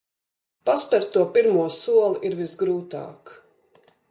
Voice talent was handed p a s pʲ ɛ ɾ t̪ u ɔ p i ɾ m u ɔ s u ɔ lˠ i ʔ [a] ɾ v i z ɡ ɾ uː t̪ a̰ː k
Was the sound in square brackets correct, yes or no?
no